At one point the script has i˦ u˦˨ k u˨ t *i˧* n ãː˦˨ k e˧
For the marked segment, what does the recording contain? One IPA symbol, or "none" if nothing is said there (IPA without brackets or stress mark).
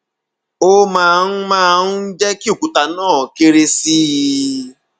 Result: a˧